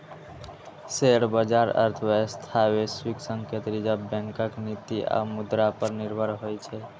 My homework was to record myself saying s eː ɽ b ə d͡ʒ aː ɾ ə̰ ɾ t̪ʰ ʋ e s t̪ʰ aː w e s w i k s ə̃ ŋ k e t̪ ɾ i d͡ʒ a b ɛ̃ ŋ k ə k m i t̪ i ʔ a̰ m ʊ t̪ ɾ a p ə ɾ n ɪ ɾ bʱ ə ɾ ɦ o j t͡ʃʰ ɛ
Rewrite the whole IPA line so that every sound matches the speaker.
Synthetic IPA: s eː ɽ b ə d͡ʒ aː ɾ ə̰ ɾ t̪ʰ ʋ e s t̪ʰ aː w e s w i k s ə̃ ŋ k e t̪ ɾ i d͡ʒ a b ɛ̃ ŋ k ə k n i t̪ i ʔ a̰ m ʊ d̪ ɾ a p ə ɾ n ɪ ɾ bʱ ə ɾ ɦ o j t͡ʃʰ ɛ